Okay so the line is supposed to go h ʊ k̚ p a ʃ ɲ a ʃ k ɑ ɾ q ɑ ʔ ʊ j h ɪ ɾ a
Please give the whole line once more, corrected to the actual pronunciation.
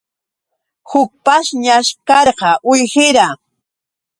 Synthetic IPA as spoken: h ʊ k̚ p a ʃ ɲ a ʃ k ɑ ɾ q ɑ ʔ ʊ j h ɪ ɾ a